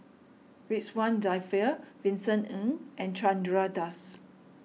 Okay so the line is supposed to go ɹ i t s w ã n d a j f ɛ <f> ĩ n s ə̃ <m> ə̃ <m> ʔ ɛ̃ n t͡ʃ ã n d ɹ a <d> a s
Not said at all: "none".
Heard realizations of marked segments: v, n, ŋ, d

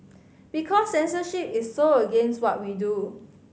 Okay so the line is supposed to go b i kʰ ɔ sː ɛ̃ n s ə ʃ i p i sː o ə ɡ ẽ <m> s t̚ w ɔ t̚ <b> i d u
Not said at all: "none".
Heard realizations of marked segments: n, w

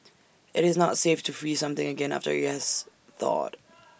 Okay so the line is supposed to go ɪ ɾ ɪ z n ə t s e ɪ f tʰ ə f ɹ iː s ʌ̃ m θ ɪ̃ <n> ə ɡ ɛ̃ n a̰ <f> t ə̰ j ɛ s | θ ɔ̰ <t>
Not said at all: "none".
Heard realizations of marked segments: ŋ, f, t

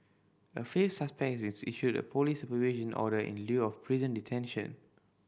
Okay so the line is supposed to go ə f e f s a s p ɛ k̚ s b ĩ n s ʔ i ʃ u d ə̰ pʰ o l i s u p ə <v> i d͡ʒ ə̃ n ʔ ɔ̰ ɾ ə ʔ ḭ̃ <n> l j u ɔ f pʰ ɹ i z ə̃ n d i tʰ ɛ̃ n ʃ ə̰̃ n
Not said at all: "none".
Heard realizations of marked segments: v, n

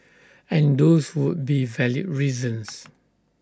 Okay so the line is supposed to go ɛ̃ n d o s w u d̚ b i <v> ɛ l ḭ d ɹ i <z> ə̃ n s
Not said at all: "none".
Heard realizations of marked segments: v, z

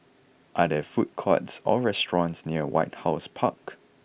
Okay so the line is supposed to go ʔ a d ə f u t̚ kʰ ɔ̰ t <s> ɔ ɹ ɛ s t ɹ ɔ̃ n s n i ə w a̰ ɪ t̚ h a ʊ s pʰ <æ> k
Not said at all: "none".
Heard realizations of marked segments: s, a

